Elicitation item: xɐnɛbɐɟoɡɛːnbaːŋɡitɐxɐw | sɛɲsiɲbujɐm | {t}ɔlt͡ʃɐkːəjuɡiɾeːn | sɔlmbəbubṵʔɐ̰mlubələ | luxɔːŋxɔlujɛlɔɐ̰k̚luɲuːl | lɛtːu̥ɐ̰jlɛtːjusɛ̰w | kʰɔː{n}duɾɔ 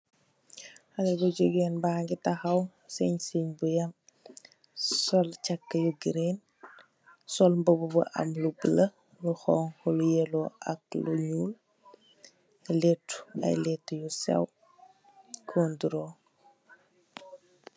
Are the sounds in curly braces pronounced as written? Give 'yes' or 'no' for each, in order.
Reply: no, yes

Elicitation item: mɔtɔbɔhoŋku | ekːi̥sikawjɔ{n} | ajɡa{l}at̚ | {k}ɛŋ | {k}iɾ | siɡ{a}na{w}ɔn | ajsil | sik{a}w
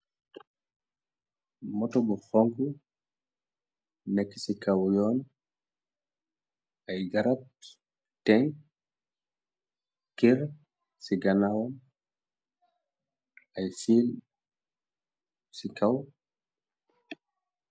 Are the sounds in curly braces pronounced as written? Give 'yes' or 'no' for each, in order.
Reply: yes, no, no, yes, yes, yes, yes

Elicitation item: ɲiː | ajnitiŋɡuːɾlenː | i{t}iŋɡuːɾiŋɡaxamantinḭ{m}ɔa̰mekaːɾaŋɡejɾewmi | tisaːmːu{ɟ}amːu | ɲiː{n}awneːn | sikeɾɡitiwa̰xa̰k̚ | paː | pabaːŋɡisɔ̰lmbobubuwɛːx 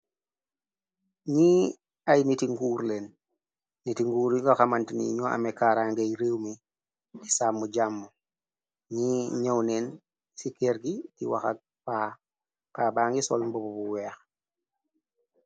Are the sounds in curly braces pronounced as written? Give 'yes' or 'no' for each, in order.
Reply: yes, no, yes, no

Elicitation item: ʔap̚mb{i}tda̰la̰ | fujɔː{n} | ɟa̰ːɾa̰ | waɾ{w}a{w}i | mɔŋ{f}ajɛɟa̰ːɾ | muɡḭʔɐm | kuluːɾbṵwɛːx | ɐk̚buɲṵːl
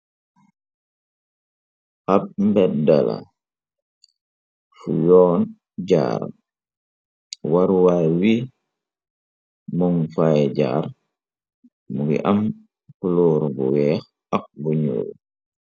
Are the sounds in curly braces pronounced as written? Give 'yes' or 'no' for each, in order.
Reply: no, yes, yes, yes, yes

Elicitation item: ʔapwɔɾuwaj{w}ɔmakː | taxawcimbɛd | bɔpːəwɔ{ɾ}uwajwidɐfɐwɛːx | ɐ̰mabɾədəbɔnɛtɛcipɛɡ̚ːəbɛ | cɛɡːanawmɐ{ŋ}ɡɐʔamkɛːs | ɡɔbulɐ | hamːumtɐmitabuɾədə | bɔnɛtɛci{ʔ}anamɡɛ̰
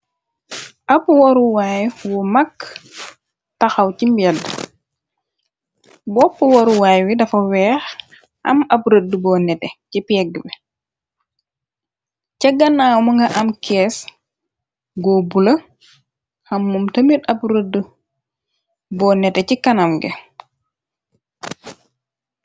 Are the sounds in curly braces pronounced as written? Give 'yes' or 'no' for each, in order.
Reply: yes, yes, yes, no

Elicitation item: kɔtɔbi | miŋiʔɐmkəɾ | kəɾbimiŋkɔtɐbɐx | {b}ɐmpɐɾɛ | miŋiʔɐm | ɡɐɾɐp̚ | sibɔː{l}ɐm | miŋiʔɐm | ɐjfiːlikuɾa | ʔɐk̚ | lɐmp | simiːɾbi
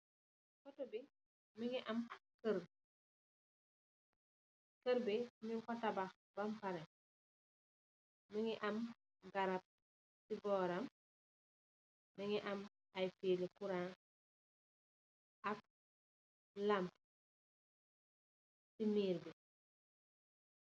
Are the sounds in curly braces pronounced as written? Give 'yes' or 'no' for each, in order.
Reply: yes, no

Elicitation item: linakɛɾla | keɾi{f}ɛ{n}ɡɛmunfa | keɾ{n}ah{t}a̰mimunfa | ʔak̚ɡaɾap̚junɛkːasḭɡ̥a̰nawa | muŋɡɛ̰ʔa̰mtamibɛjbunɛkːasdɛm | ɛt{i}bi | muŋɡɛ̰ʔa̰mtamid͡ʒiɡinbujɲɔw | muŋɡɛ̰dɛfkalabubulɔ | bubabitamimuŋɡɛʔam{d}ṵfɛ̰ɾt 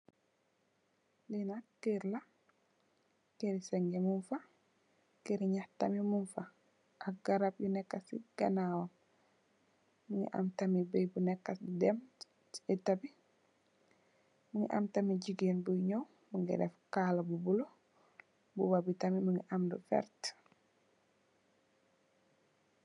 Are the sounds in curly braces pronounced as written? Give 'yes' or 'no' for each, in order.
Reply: no, no, no, yes, no, yes

